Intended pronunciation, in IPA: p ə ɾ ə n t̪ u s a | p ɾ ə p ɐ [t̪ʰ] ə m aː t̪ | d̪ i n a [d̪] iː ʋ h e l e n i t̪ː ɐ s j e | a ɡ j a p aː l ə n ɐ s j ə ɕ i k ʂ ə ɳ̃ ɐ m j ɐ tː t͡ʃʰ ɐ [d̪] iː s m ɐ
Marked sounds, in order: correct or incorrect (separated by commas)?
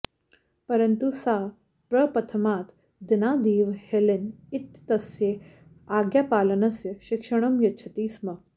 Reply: correct, correct, incorrect